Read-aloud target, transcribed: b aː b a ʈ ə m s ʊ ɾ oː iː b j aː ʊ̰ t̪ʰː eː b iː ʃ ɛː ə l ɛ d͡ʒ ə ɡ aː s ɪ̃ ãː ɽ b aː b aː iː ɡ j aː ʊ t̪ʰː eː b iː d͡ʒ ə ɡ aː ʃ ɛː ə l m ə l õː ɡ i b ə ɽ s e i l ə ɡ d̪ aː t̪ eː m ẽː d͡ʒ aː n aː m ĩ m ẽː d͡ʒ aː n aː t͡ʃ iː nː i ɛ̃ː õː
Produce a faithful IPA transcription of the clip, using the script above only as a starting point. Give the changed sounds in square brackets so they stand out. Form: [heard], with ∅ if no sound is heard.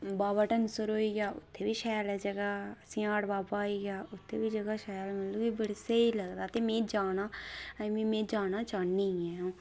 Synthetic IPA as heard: b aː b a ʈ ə [n] s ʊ ɾ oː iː [ɡ] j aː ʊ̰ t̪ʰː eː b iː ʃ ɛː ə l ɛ d͡ʒ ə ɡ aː s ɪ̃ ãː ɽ b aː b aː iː ɡ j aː ʊ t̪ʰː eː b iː d͡ʒ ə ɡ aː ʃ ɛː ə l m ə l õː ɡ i b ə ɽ s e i l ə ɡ d̪ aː t̪ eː m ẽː d͡ʒ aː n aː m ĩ m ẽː d͡ʒ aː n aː t͡ʃ [aː] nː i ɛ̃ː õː